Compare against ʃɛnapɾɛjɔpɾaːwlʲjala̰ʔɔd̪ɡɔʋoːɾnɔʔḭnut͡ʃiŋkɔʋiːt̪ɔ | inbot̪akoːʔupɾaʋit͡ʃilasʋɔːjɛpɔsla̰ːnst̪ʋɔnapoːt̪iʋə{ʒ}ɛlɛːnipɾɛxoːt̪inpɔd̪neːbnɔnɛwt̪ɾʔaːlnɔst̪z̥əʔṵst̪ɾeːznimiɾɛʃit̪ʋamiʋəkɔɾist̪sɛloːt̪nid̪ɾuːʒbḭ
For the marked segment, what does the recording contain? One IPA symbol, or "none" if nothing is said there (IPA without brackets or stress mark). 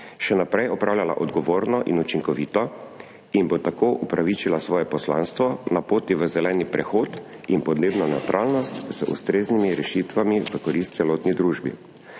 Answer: z